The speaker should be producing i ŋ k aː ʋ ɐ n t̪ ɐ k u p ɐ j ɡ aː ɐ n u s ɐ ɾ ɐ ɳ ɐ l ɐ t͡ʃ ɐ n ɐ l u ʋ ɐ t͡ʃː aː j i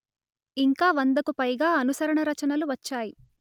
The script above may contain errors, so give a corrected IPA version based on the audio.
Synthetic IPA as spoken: i ŋ k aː ʋ ɐ n d̪ ɐ k u p ɐ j ɡ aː ɐ n u s ɐ ɾ ɐ ɳ ɐ ɾ ɐ t͡ʃ ɐ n ɐ l u ʋ ɐ t͡ʃː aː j i

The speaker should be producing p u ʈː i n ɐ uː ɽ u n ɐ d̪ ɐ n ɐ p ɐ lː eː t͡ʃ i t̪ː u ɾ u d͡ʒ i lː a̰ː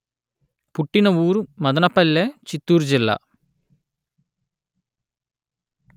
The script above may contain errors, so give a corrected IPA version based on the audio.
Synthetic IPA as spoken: p u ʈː i n ɐ uː ɾ u m ɐ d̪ ɐ n ɐ p ɐ lː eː t͡ʃ i t̪ː uː ɾ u d͡ʒ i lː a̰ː

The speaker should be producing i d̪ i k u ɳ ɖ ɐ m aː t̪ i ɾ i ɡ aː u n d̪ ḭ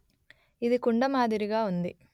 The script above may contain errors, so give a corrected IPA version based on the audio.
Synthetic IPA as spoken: i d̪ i k u ɳ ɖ ɐ m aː d̪ i ɾ i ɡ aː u n d̪ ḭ

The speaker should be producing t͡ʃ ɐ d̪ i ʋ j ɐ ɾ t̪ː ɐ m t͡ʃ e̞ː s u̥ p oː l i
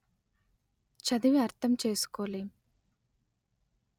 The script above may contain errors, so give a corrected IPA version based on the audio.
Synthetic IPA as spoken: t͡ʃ ɐ d̪ i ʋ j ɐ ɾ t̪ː ɐ m t͡ʃ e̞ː s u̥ k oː l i

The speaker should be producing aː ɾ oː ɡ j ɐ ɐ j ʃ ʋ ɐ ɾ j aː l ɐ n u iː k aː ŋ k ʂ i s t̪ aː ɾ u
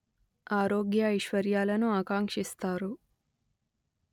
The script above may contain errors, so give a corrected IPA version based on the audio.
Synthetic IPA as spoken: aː ɾ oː ɡ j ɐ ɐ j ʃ ʋ ɐ ɾ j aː l ɐ n u aː k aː ŋ k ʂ i s t̪ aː ɾ u

